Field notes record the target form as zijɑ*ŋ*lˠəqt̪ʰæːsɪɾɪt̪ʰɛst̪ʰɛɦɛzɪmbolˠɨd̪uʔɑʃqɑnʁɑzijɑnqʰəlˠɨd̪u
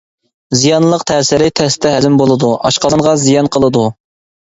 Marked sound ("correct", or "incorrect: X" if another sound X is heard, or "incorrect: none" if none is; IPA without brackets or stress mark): incorrect: n